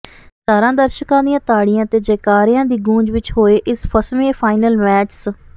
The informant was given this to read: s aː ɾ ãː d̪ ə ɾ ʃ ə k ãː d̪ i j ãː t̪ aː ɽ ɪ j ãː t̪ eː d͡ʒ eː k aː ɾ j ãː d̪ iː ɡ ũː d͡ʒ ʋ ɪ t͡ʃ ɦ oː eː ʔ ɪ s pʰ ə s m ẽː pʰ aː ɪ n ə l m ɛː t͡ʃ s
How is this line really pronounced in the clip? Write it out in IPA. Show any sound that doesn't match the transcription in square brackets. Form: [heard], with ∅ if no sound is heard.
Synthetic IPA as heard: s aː ɾ ãː d̪ ə ɾ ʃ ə k ãː d̪ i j ãː t̪ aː ɽ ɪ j ãː t̪ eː d͡ʒ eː k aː ɾ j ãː d̪ iː ɡ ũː d͡ʒ ʋ ɪ t͡ʃ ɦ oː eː ʔ ɪ s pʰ ə s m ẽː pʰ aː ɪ n ə l m ɛː t͡ʃ s